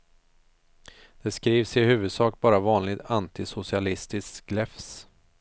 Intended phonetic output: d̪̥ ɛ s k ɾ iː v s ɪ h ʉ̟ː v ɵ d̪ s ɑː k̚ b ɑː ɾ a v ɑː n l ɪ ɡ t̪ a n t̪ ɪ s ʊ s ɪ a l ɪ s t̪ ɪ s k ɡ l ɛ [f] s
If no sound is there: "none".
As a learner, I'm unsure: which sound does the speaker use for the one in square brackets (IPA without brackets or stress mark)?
f